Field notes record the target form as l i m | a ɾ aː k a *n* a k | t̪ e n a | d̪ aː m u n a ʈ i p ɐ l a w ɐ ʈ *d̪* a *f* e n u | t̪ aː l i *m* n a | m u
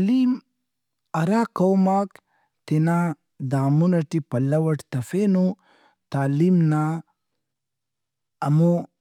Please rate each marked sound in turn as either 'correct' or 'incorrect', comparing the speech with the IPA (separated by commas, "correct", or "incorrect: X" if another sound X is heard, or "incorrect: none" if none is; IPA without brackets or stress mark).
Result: incorrect: m, incorrect: t̪, correct, correct